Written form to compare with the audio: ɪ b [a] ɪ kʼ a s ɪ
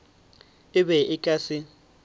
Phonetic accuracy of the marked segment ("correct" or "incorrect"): incorrect